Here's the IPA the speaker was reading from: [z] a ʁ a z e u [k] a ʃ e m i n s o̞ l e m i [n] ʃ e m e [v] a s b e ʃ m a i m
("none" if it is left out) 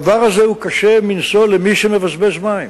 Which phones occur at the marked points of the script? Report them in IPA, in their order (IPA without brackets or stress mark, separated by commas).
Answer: v, k, none, v